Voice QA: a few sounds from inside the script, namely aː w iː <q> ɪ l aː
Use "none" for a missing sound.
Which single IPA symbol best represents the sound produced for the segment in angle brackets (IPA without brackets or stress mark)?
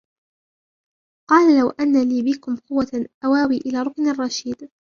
ʔ